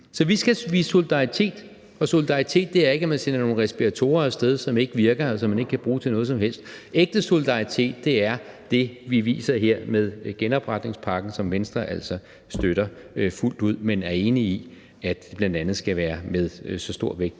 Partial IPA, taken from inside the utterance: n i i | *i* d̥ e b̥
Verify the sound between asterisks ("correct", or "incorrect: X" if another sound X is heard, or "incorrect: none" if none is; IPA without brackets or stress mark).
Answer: incorrect: æ